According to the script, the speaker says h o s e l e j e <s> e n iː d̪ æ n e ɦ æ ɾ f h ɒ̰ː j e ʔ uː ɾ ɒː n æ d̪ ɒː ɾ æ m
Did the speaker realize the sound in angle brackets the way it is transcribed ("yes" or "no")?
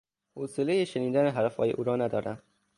no